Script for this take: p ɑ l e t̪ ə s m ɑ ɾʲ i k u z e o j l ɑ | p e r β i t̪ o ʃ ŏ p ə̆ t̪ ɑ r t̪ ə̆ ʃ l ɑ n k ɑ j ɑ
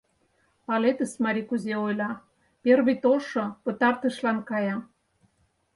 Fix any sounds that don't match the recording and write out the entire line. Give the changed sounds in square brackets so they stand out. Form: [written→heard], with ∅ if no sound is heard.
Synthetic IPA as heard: p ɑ l e t̪ ə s m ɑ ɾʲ i k u z e o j l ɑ | p e r β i t̪ o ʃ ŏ p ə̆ t̪ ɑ r t̪ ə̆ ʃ l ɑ n k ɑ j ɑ